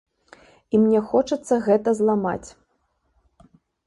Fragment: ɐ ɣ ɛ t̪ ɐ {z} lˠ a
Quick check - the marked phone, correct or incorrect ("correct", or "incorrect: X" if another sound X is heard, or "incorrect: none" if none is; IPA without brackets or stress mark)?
correct